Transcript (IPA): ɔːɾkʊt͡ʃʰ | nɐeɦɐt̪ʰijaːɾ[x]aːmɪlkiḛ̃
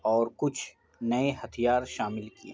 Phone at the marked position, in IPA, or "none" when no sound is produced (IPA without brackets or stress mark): ʃ